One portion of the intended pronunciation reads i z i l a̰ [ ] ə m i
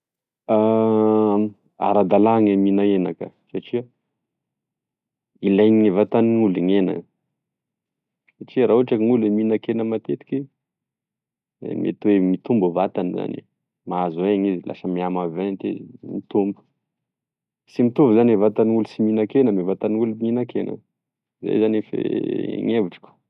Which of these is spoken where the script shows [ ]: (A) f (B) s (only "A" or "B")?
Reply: B